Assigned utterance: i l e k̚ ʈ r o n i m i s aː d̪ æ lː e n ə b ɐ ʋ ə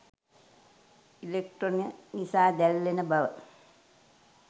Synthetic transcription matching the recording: i l e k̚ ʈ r o n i n i s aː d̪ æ lː e n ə b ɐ ʋ ə